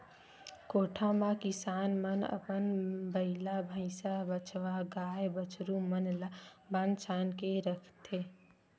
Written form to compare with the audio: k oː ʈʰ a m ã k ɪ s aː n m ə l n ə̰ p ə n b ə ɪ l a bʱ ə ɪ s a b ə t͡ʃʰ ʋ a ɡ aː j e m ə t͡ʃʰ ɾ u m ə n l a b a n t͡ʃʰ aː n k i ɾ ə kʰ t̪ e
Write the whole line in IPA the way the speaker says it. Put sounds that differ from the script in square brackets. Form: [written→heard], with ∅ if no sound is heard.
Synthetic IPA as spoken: k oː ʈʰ a m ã k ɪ s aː n m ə [l→∅] n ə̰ p ə n b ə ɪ l a bʱ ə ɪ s a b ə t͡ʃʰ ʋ a ɡ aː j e [m→b] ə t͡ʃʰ ɾ u m ə n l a b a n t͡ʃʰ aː n k [i→e] ɾ ə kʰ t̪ e